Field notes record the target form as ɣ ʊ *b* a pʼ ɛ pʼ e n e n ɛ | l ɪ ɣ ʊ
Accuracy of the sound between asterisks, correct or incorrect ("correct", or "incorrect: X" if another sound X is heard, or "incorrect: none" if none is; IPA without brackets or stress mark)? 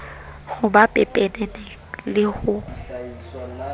correct